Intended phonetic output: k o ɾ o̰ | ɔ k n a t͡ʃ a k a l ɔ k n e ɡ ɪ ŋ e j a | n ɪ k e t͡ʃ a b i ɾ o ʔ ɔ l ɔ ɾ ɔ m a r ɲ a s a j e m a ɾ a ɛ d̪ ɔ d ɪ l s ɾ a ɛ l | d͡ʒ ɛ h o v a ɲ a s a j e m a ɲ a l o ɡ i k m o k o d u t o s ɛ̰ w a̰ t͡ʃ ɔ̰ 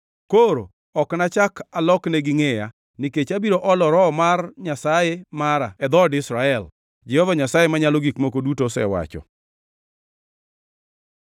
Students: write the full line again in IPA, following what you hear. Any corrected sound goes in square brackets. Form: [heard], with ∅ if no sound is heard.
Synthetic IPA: k o ɾ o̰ | ɔ k n a t͡ʃ a k a l ɔ k n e ɡ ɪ ŋ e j a | n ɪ k e t͡ʃ a b i ɾ o ʔ ɔ l ɔ ɾ ɔ m a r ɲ a s a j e m a ɾ a ɛ d̪ ɔ d ɪ [∅] s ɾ a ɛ l | d͡ʒ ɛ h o v a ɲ a s a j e m a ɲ a l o ɡ i k m o k o d u t o s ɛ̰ w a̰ t͡ʃ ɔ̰